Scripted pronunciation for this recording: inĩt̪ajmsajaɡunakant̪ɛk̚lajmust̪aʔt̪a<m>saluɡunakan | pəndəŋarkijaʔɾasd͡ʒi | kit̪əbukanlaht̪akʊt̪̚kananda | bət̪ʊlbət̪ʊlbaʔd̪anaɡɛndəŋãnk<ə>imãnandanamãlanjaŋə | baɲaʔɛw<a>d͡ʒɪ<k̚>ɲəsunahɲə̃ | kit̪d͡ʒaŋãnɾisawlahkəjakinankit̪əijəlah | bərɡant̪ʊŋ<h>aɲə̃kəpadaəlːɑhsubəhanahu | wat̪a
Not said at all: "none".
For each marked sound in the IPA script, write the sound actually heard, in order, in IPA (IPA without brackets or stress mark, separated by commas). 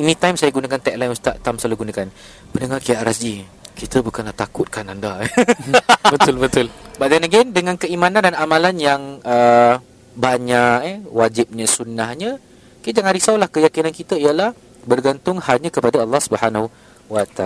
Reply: m, ə, a, p̚, h